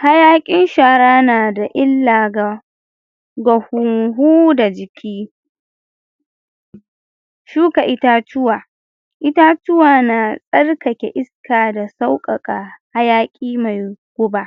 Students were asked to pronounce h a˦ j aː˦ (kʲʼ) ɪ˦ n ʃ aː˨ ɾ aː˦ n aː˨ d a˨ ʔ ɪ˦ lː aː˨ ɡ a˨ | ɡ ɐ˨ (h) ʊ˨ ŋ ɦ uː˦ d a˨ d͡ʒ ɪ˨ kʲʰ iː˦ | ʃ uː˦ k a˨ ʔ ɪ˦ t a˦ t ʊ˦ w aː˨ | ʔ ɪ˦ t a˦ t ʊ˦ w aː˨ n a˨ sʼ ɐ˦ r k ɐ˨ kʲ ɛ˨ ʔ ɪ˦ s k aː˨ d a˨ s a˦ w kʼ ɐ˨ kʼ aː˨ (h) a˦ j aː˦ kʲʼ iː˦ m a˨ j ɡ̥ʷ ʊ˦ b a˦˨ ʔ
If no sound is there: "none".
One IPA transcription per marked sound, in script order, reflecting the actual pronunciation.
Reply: kʲʼ, h, h

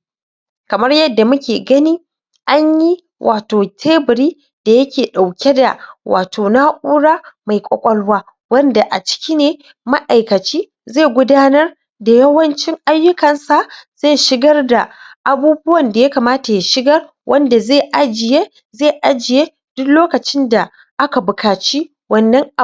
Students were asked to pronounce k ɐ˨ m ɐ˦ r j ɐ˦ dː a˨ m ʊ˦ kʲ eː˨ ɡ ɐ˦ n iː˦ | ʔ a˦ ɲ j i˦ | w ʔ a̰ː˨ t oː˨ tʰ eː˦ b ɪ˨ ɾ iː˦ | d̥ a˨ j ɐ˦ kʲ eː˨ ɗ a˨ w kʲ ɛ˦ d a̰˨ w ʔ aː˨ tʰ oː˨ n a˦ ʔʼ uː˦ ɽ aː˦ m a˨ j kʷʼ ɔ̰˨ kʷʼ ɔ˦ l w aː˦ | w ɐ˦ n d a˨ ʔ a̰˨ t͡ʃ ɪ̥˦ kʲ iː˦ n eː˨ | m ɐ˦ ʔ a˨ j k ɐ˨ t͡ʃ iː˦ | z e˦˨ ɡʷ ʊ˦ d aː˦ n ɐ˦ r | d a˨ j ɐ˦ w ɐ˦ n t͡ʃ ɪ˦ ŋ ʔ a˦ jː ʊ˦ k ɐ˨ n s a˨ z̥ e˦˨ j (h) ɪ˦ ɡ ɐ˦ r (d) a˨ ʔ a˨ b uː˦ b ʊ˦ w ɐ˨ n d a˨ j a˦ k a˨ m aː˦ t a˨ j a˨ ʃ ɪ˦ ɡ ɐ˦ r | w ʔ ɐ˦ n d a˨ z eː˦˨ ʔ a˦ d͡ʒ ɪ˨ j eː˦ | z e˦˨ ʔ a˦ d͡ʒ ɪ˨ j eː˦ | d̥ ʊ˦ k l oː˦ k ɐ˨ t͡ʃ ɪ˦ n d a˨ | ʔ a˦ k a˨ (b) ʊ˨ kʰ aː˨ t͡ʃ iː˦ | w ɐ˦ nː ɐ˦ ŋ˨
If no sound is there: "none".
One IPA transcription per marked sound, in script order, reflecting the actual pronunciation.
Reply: ʃ, d, b

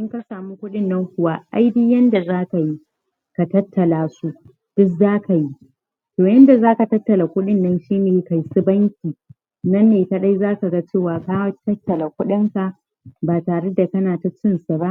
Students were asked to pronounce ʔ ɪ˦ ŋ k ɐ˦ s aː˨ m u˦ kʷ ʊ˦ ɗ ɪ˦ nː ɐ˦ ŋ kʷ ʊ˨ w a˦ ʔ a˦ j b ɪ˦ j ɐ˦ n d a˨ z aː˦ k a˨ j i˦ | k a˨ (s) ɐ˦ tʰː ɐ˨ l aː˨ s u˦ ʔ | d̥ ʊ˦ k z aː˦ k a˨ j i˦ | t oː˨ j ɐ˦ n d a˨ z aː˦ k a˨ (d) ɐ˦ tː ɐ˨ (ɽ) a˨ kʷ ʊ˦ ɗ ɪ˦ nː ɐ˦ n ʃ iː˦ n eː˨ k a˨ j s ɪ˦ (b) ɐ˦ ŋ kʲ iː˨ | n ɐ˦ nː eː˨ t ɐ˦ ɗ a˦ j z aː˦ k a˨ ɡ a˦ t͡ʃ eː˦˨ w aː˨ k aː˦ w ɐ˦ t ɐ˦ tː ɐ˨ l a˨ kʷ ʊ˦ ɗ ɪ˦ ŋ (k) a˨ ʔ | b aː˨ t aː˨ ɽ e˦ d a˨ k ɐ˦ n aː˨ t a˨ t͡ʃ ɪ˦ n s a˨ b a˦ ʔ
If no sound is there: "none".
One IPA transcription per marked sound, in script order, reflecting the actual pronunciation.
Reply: t, t, l, b, k

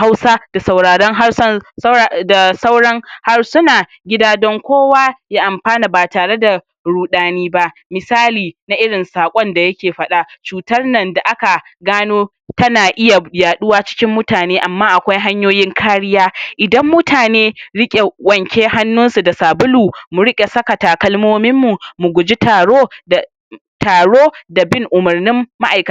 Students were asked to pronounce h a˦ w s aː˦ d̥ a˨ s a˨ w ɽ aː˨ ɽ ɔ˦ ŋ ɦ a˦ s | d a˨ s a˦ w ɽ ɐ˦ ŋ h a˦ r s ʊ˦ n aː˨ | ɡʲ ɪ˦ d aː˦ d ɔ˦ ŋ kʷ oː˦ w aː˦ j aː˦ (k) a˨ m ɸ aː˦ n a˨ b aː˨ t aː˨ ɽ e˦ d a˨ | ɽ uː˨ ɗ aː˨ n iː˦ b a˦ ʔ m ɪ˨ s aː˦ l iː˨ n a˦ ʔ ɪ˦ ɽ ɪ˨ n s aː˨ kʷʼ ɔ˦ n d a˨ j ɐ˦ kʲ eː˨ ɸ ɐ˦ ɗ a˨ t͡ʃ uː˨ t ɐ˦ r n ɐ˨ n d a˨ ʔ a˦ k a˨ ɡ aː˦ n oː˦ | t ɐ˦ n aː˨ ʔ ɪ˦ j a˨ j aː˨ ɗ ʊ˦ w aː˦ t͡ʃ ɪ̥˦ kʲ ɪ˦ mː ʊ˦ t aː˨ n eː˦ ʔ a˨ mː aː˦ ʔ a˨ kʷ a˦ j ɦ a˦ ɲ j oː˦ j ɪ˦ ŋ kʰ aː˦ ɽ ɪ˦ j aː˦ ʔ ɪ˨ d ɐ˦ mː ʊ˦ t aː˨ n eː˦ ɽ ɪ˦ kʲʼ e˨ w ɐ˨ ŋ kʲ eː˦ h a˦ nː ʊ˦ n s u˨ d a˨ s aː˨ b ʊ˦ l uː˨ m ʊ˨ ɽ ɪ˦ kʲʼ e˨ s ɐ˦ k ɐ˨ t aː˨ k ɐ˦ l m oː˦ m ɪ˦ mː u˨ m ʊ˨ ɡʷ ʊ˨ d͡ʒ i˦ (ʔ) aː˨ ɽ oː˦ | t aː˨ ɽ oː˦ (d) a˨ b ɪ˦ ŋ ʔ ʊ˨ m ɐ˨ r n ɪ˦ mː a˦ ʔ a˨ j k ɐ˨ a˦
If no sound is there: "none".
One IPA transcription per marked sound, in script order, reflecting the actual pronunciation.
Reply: ʔ, t, d

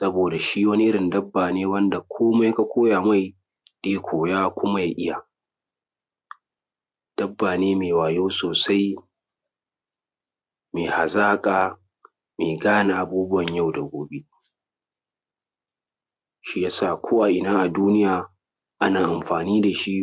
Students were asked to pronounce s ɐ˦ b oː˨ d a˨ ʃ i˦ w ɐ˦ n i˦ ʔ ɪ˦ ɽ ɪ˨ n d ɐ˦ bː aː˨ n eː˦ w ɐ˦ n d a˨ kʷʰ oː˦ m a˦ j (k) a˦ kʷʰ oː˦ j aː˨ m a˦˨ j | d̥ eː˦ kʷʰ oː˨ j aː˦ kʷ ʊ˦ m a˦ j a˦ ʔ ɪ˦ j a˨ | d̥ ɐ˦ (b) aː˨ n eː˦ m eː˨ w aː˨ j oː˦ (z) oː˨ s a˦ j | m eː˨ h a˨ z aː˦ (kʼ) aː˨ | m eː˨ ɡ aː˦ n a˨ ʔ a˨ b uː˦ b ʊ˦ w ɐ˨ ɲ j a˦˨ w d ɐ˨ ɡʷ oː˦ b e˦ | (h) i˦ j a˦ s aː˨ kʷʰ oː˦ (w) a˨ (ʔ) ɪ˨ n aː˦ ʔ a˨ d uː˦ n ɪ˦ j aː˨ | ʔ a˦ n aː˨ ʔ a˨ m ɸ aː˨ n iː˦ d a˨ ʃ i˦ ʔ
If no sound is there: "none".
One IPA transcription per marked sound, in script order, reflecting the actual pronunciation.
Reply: k, bː, s, kʼ, ʃ, w, ʔ

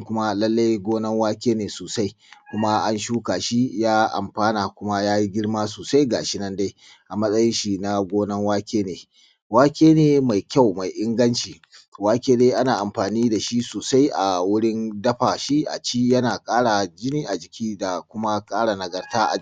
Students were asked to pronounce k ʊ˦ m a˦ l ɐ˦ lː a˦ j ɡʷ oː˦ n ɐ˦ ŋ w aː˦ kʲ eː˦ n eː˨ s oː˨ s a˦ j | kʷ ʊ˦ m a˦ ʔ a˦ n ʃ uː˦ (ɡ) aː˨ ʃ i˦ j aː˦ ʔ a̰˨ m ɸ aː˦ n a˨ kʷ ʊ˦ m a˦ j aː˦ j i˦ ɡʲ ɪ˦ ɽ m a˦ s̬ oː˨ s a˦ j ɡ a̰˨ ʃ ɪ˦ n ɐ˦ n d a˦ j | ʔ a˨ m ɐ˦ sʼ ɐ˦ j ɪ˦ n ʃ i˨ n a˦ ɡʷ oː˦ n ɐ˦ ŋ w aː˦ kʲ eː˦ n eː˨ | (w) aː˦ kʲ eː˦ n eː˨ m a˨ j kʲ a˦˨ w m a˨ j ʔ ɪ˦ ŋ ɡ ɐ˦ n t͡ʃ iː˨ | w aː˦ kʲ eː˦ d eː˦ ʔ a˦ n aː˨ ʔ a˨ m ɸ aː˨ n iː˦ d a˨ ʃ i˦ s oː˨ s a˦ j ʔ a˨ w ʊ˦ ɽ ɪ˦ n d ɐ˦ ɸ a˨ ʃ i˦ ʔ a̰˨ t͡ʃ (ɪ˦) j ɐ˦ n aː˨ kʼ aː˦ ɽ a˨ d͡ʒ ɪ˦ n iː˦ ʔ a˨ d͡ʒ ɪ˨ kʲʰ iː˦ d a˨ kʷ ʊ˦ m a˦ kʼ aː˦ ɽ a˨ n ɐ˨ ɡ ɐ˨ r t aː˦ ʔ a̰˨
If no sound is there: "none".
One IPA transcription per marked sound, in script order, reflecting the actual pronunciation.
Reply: k, w, i˦

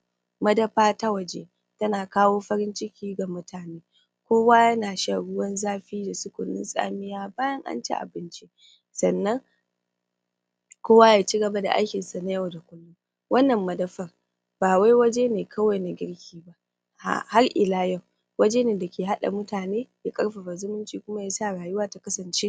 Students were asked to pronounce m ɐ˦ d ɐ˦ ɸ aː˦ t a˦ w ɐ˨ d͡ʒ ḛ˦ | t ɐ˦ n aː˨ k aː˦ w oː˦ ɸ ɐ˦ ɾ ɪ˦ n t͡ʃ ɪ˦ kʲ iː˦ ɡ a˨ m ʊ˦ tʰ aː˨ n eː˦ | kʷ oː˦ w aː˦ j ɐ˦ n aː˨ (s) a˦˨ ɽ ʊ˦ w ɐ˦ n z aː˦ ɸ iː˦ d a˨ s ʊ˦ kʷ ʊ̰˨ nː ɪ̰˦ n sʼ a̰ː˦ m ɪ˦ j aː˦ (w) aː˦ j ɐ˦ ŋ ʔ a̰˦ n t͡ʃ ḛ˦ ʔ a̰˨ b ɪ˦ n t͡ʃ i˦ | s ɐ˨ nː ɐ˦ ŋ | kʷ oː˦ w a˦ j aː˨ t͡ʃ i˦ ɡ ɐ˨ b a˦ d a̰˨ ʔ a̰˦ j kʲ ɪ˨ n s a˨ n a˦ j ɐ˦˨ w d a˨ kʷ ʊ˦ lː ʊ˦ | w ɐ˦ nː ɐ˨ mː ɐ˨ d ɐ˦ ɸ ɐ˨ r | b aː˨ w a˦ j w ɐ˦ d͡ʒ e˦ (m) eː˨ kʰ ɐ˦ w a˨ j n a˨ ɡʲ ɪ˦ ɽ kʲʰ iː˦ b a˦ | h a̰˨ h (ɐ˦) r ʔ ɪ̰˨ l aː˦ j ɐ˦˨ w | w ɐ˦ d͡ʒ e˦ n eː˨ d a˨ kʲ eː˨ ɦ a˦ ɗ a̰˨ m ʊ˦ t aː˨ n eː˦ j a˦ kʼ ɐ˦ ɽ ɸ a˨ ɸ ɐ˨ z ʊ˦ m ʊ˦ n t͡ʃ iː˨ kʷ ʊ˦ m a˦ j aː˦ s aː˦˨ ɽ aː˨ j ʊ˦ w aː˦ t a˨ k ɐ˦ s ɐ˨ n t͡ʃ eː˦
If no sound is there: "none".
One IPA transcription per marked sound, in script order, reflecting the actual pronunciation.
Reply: ʃ, b, n, a˦

